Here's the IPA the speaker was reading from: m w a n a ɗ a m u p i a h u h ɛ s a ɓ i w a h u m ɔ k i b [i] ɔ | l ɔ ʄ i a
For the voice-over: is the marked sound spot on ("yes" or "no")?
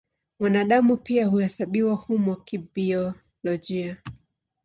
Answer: yes